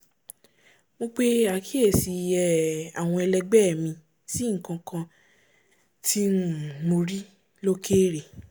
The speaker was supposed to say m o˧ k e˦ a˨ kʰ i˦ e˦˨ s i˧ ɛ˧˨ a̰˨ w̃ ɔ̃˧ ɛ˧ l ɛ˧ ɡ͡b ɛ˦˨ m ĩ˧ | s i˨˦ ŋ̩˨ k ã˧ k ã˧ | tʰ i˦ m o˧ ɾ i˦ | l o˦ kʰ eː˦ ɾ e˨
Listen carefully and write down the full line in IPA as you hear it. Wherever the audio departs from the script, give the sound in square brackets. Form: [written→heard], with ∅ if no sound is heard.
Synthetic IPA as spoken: m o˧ [k→k͡p] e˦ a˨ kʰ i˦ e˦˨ s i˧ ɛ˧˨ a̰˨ w̃ ɔ̃˧ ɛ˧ l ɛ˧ ɡ͡b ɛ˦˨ m ĩ˧ | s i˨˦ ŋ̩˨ k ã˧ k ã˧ | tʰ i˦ m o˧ ɾ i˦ | l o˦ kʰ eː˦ ɾ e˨